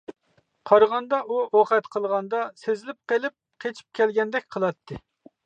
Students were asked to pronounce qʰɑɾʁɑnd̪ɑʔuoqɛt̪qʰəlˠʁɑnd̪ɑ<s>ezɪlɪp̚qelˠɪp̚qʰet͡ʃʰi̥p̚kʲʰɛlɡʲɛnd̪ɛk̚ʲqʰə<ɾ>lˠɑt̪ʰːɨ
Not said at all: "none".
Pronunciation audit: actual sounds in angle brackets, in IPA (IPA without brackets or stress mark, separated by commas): s, none